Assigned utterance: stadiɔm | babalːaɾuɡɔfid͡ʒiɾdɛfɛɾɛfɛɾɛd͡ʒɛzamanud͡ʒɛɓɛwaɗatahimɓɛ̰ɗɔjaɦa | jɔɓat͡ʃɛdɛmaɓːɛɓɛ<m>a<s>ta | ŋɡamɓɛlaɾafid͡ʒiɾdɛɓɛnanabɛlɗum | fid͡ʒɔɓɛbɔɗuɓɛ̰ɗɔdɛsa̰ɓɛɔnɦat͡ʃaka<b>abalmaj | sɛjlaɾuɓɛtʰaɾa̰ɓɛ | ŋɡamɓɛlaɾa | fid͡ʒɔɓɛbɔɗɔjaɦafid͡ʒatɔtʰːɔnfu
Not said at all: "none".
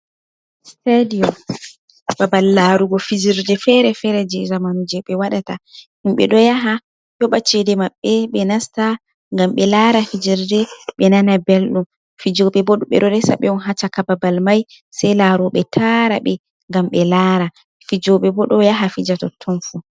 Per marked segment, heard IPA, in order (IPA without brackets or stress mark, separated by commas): n, s, b